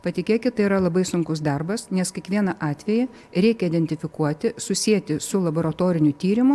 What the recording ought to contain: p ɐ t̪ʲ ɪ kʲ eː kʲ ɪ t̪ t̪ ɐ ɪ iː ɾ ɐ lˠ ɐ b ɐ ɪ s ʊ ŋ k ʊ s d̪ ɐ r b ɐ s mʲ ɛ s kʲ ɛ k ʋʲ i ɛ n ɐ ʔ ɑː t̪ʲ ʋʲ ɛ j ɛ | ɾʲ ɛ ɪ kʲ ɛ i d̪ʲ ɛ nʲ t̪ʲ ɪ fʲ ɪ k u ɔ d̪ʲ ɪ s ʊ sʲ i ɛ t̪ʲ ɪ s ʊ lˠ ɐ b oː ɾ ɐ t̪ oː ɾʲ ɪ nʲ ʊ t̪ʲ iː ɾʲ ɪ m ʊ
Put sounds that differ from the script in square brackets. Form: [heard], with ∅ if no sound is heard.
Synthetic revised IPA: p ɐ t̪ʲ ɪ kʲ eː kʲ ɪ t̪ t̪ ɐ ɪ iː ɾ ɐ lˠ ɐ b ɐ ɪ s ʊ ŋ k ʊ s d̪ ɐ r b ɐ s [nʲ] ɛ s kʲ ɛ k ʋʲ i ɛ n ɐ ʔ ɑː t̪ʲ ʋʲ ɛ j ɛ | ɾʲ ɛ ɪ kʲ ɛ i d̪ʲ ɛ nʲ t̪ʲ ɪ fʲ ɪ k u ɔ [t̪ʲ] ɪ s ʊ sʲ i ɛ t̪ʲ ɪ s ʊ lˠ ɐ b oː ɾ ɐ t̪ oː ɾʲ ɪ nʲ ʊ t̪ʲ iː ɾʲ ɪ m ʊ